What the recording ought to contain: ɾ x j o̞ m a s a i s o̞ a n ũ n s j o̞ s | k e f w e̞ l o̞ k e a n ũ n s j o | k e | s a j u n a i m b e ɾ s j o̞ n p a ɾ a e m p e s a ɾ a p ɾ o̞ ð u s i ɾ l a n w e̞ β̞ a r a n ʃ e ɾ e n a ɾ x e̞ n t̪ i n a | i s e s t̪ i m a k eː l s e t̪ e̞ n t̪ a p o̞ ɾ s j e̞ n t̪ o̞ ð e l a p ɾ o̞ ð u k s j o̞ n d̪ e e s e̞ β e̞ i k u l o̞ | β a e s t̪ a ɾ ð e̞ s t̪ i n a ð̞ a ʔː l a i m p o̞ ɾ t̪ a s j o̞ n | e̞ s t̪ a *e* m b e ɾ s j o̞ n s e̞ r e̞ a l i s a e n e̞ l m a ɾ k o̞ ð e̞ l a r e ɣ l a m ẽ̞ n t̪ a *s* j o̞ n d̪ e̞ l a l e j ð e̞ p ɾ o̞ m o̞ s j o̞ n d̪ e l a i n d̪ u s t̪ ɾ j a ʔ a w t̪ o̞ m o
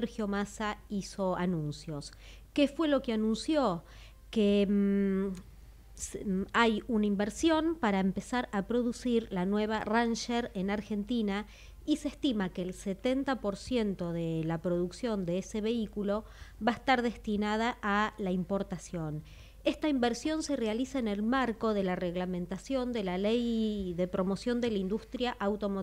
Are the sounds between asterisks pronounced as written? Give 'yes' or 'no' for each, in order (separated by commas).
no, yes